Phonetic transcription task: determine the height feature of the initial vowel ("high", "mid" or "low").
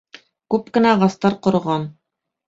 high